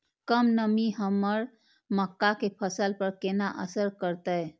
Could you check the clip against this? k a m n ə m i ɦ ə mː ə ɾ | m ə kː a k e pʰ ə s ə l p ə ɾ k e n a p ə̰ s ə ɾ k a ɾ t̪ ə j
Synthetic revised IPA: k ə m n ə m i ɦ ə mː ə ɾ | m ə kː a k e pʰ ə s ə l p ə ɾ k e n a ʔ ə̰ s ə ɾ k ə ɾ t̪ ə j